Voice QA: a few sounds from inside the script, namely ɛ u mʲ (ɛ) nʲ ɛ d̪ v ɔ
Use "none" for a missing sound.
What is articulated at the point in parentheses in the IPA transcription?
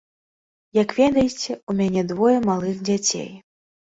a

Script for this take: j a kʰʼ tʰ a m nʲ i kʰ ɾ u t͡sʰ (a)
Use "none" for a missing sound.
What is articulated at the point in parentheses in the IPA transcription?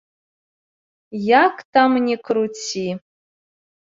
i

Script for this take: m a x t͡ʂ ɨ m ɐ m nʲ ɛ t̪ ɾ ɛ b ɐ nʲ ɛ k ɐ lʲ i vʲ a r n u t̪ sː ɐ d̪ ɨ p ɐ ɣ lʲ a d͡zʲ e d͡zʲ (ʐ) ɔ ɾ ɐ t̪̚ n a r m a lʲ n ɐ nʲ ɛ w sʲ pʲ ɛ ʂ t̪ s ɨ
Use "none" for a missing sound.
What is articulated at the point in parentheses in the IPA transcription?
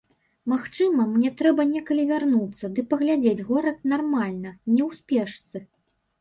ɣ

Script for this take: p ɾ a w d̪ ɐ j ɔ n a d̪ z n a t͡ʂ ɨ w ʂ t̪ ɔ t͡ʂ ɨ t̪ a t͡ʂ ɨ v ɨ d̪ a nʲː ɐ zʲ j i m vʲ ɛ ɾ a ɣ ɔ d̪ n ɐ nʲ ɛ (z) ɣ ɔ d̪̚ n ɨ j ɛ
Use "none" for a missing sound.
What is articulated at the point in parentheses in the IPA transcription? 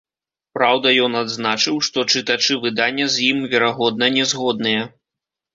z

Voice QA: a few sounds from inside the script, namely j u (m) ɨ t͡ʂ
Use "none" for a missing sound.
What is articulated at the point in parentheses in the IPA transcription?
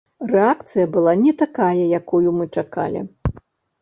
m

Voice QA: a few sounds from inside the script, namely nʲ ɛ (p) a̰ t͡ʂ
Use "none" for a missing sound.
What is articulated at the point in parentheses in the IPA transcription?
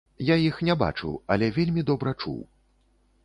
b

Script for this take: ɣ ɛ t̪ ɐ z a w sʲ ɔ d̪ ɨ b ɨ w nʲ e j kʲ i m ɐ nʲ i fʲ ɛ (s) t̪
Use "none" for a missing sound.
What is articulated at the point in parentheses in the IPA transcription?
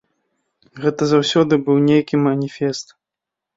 s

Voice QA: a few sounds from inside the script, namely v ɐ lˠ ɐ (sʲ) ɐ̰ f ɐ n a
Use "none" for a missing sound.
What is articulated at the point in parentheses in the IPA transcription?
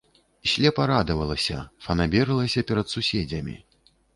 sʲ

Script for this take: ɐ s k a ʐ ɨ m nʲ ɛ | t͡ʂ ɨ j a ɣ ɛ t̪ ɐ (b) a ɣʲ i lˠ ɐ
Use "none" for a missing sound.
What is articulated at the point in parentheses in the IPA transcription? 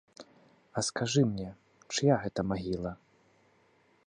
m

